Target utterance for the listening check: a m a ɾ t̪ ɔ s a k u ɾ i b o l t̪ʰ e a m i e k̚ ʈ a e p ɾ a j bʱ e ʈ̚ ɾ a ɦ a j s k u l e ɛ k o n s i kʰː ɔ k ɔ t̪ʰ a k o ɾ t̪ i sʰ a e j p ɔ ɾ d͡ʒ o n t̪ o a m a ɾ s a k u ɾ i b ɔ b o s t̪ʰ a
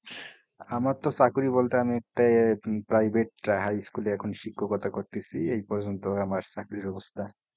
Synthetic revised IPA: a m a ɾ t̪ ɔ s a k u ɾ i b o l t̪ e a m i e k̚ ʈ a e p ɾ a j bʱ e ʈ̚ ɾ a ɦ a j s k u l e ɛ kʰ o n ʃ i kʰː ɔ k ɔ t̪ʰ a k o ɾ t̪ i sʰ i e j p ɔ ɾ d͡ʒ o n t̪ o a m a ɾ s a k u ɾ i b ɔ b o s t̪ʰ a